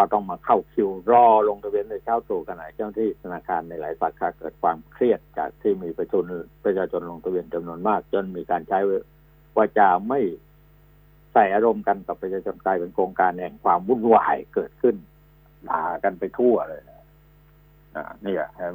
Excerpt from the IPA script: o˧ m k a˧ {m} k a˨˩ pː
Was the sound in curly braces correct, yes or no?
no